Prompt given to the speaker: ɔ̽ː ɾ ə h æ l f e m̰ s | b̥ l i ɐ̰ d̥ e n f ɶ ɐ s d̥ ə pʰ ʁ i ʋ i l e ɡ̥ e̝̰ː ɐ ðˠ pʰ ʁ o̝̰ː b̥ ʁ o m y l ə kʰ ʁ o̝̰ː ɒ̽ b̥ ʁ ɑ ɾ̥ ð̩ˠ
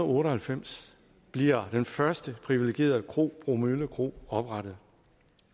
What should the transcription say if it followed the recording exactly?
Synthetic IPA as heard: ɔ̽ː ɾ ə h æ l f e m̰ s | b̥ l i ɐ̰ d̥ e n f ɶ ɐ s d̥ ə pʰ ʁ i ʋ i l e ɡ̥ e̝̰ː ɐ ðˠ kʰ ʁ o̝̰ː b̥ ʁ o m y l ə kʰ ʁ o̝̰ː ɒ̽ b̥ ʁ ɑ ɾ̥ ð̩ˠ